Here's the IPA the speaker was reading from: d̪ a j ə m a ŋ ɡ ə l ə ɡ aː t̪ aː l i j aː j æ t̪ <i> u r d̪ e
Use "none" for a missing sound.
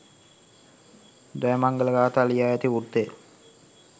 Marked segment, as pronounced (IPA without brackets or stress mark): i